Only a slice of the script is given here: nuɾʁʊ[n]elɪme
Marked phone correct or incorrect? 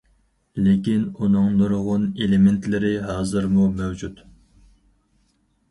correct